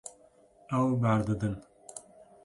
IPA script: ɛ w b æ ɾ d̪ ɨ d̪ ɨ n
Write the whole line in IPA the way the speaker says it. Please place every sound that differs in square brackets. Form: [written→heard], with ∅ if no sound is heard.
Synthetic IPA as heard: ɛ w b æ ɾ d̪ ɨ d̪ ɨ n